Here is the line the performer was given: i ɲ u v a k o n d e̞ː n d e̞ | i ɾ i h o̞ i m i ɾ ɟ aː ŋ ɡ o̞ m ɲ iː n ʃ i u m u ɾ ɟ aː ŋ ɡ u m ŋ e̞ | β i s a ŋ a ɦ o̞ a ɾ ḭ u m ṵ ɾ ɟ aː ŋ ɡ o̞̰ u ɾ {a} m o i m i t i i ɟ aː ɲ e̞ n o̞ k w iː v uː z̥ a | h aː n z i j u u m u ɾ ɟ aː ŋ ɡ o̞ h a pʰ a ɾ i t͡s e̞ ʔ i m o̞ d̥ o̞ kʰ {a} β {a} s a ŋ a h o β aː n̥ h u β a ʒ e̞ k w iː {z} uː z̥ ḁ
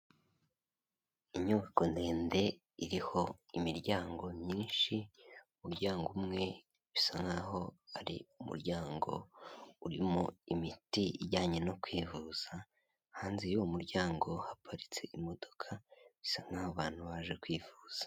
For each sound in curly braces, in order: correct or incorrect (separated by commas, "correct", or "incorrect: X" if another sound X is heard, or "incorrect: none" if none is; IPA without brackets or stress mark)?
incorrect: i, correct, incorrect: i, incorrect: v